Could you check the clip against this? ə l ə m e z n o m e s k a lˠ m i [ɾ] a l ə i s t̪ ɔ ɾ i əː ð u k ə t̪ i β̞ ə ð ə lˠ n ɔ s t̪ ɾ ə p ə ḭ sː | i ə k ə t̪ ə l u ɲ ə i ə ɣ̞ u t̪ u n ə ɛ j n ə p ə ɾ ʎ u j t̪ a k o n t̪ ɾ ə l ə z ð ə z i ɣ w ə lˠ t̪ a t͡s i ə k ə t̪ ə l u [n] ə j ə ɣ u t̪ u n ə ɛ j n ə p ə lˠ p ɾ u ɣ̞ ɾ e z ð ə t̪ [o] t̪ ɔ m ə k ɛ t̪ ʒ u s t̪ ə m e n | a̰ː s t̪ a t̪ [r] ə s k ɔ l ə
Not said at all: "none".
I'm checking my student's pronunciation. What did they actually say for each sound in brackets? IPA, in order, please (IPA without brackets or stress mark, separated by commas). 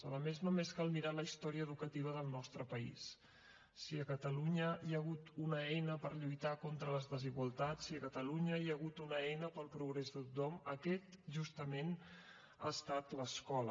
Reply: ɾ, ɲ, u, l